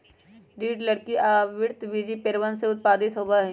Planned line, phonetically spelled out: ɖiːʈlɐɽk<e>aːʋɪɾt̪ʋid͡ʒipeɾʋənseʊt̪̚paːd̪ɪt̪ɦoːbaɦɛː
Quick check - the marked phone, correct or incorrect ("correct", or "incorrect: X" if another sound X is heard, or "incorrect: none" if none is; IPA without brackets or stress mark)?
incorrect: i